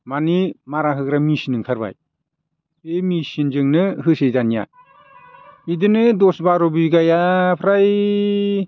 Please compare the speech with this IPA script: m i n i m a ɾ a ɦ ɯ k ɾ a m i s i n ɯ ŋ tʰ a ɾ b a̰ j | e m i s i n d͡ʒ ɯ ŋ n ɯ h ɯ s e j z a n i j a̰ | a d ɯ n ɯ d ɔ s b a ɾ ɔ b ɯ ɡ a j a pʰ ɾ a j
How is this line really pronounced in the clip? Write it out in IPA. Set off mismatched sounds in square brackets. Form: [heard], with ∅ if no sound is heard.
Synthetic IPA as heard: m [a] n i m a ɾ a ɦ ɯ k ɾ a m i s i n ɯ ŋ [kʰ] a ɾ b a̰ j | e m i s i n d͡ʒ ɯ ŋ n ɯ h ɯ s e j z a n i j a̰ | [i] d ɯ n ɯ d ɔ s b a ɾ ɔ b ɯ ɡ a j a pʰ ɾ a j